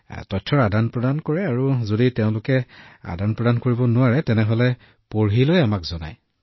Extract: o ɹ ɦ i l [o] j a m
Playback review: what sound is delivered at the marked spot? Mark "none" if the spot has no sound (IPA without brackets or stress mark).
o